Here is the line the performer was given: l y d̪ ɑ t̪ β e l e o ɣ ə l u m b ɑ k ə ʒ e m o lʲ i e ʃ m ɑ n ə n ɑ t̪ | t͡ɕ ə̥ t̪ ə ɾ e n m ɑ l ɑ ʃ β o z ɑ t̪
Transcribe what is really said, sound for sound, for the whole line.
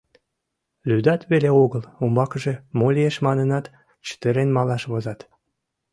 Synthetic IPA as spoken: l y d̪ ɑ t̪ β e l e o ɣ ə l u m b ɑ k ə ʒ e m o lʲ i e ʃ m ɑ n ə n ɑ t̪ | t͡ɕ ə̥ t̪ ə ɾ e n m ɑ l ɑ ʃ β o z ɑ t̪